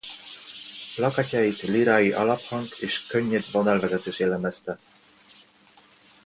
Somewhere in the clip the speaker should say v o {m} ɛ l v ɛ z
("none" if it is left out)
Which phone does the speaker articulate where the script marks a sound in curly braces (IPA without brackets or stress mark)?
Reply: n